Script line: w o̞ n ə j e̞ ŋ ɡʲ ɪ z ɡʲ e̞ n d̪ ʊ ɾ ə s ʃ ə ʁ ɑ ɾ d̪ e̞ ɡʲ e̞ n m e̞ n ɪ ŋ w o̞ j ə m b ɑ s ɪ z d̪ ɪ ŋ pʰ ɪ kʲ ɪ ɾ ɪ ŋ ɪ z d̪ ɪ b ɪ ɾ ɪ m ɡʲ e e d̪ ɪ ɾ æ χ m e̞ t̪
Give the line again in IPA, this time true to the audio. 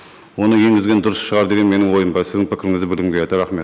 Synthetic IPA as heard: w o̞ n ə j e̞ ŋ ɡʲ ɪ z ɡʲ e̞ n d̪ ʊ ɾ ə s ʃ ə ʁ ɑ ɾ d̪ e̞ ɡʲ e̞ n m e̞ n ɪ ŋ w o̞ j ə m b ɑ s ɪ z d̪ ɪ ŋ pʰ ɪ kʲ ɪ ɾ ɪ ŋ ɪ z d̪ ɪ b ɪ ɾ ɪ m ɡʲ e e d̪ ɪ ɾ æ χ m e̞ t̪

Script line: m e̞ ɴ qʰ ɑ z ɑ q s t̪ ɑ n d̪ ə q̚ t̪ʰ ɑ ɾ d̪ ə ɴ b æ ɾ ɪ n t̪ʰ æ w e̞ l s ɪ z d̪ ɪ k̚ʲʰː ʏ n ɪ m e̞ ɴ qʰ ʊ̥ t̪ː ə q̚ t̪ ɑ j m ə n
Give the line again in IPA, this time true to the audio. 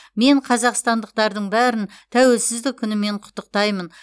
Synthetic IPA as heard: m e̞ ɴ qʰ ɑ z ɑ q s t̪ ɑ n d̪ ə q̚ t̪ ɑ ɾ d̪ ə ɴ b æ ɾ ɪ n t̪ʰ æ w e̞ l s ɪ z d̪ ɪ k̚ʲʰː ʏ n ɪ m e̞ ɴ qʰ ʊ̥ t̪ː ə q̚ t̪ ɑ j m ə n

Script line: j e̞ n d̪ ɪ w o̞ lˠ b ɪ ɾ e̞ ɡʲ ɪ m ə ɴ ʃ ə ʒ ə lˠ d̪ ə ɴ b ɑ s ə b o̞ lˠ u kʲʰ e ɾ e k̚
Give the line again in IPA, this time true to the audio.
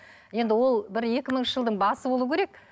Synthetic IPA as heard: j e̞ n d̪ ɪ w o̞ lˠ b ɪ ɾ e̞ kʲ ɪ m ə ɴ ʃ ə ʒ ə lˠ d̪ ə ɴ b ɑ s ə b o̞ lˠ u kʲʰ e ɾ e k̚

